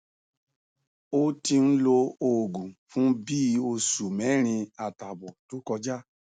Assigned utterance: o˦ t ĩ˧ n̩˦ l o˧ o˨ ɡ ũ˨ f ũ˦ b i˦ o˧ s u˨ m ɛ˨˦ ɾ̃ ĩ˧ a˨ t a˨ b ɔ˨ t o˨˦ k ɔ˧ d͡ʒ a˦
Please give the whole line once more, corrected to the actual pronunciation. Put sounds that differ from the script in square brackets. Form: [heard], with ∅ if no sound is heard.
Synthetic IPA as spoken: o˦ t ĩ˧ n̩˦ l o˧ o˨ ɡ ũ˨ f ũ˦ b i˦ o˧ s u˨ m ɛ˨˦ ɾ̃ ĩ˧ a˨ t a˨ b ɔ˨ t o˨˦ k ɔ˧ d͡ʒ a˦